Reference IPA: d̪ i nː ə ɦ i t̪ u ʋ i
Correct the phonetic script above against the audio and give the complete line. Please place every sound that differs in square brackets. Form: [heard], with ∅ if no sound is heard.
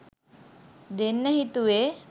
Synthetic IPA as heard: d̪ [e] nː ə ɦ i t̪ u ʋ [e]